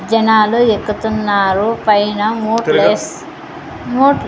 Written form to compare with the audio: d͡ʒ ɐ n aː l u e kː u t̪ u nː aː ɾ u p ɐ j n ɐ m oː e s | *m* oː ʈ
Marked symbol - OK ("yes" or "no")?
yes